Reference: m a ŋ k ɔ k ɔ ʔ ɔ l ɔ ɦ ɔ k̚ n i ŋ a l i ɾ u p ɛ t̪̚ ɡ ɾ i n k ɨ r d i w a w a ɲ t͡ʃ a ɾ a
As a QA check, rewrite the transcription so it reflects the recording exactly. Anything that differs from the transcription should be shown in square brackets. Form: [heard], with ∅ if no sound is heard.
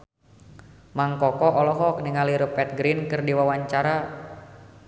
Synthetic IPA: m a ŋ k ɔ k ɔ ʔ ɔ l ɔ ɦ ɔ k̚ n i ŋ a l i ɾ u p ɛ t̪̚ ɡ ɾ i n k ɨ r d i w a w a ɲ t͡ʃ a ɾ a